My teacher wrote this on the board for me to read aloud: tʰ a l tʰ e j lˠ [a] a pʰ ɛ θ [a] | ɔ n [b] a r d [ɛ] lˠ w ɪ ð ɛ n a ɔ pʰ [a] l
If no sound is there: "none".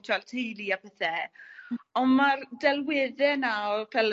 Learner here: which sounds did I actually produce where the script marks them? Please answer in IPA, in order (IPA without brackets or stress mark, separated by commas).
i, ɛ, m, ɛ, ɛ